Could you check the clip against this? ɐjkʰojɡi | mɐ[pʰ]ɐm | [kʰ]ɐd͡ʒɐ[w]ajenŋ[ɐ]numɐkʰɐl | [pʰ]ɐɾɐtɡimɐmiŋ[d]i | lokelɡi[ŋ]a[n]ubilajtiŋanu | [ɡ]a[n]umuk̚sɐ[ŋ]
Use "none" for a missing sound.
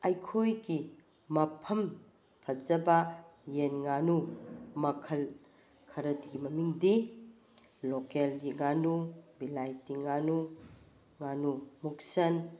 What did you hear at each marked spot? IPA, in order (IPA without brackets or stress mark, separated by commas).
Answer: pʰ, pʰ, b, a, kʰ, d, ŋ, n, ŋ, n, n